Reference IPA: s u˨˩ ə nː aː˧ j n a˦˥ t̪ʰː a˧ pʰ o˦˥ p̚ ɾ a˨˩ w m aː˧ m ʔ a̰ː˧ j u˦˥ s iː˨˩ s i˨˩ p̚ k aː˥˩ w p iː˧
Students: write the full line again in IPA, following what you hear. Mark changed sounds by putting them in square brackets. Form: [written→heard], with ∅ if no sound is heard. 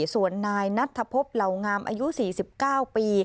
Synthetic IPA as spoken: s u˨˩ ə nː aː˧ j n a˦˥ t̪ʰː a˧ pʰ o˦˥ p̚ [ɾ→l] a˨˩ w [m→ŋ] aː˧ m ʔ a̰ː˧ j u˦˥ s iː˨˩ s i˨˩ p̚ k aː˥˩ w p iː˧